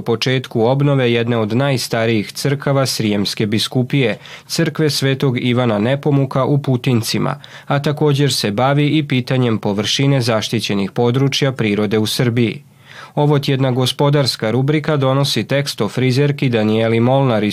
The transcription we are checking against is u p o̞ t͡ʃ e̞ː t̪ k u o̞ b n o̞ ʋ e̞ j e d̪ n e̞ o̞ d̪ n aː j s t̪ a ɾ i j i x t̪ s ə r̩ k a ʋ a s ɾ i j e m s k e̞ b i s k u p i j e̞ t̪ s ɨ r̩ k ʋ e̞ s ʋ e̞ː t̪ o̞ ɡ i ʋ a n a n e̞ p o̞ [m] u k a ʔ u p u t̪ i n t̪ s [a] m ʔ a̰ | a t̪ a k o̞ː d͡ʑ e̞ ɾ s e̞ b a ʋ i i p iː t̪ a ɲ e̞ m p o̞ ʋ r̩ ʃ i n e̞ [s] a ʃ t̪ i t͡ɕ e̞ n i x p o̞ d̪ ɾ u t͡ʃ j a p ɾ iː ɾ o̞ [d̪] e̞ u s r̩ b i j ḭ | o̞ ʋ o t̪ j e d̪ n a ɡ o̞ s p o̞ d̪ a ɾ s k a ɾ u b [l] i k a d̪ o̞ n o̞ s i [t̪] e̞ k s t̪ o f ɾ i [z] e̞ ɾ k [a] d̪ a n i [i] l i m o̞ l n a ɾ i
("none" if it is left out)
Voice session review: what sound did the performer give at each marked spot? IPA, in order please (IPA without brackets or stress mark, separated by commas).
m, i, z, d̪, ɾ, t̪, z, i, e